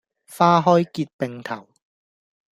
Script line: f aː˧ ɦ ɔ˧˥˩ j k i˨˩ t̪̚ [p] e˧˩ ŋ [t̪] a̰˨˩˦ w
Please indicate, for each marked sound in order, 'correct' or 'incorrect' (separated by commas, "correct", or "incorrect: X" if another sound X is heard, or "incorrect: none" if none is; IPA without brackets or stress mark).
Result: correct, incorrect: t̪ʰ